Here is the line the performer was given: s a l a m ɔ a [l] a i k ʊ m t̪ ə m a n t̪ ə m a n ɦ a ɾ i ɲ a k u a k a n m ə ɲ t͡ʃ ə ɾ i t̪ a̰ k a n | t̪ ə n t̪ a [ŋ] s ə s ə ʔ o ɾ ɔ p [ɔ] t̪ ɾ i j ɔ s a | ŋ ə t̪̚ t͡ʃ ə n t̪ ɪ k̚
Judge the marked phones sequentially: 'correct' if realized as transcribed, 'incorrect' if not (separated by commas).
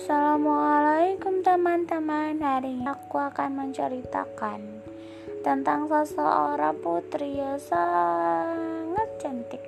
correct, correct, incorrect